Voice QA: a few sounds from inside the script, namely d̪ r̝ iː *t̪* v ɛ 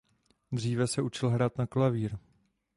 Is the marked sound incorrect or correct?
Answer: incorrect